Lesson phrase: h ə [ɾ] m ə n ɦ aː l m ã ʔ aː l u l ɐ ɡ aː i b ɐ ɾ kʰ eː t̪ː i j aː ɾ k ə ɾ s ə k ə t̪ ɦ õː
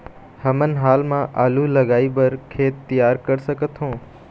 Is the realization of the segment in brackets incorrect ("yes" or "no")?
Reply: yes